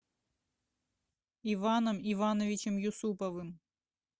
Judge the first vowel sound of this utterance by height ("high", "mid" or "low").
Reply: high